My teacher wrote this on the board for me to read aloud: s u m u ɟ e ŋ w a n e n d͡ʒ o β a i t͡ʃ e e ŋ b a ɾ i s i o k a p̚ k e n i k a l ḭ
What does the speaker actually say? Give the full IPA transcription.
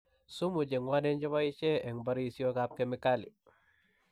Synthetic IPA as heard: s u m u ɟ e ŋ w a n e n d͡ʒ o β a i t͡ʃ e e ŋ b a ɾ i s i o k a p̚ k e m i k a l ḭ